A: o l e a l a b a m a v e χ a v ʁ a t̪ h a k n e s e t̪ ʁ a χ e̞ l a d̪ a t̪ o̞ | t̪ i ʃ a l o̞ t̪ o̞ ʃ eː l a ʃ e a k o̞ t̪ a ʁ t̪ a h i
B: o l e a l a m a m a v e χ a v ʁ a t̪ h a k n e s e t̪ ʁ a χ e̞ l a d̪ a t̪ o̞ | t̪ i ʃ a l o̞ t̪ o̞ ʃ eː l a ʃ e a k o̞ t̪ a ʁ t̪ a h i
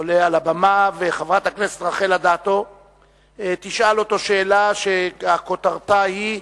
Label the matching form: A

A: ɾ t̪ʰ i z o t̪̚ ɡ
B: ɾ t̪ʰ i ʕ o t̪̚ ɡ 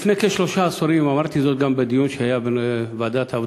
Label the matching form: A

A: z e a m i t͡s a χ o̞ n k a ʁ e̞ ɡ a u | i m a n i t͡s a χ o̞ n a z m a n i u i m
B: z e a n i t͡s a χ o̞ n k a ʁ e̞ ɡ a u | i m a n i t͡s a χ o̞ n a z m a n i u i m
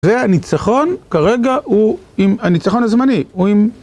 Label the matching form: B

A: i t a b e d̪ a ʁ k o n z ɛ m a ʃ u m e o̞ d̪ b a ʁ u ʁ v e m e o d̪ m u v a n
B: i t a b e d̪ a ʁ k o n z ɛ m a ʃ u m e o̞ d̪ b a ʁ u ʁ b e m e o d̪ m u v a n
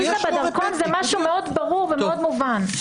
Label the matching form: A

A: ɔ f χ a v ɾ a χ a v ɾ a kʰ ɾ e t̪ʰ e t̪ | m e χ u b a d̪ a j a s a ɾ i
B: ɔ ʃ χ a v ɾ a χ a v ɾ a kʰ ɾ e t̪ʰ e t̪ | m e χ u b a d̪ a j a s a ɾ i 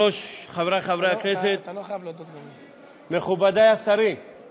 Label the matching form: B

